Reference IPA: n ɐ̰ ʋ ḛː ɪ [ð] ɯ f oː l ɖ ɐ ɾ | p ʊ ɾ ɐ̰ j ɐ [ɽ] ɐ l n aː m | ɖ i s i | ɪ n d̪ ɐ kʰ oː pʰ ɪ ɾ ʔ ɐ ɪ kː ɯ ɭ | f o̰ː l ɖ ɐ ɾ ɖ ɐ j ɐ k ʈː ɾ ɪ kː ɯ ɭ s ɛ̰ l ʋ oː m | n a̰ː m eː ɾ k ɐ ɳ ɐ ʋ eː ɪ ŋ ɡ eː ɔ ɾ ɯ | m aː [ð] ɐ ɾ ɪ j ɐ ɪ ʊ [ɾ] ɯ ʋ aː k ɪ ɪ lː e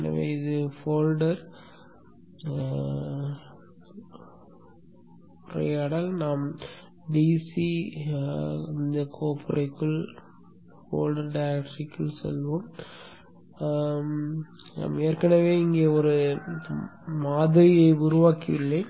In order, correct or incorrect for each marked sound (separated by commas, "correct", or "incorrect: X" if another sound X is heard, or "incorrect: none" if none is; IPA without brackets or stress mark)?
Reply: correct, correct, correct, correct